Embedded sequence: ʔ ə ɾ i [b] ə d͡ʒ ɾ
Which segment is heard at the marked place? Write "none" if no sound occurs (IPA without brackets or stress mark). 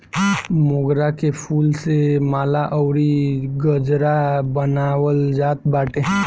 ɡ